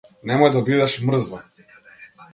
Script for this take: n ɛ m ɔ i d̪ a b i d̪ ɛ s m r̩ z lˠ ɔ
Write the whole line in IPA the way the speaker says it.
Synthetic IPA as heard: n ɛ m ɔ j d̪ a b i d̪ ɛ ʃ m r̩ z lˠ ɔ